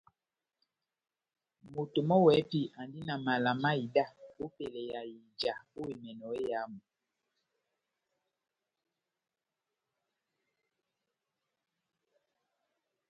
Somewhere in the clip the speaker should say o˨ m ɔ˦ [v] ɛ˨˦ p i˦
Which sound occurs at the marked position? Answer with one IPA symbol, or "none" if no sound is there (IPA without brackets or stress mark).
w